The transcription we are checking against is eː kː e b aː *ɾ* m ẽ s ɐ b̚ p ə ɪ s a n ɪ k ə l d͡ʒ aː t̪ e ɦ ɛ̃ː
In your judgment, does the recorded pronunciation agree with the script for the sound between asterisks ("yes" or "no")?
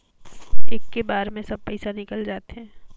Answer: yes